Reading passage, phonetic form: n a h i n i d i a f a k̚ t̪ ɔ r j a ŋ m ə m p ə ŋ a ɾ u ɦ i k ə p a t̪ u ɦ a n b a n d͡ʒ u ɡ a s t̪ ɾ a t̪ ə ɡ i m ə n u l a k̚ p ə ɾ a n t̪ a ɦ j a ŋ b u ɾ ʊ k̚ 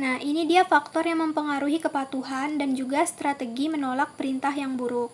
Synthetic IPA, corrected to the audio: n a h i n i d i a f a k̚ t̪ ɔ r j a ŋ m ə m p ə ŋ a ɾ u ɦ i k ə p a t̪ u ɦ a n d a n d͡ʒ u ɡ a s t̪ ɾ a t̪ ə ɡ i m ə n o l a k̚ p ə ɾ i n t̪ a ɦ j a ŋ b u ɾ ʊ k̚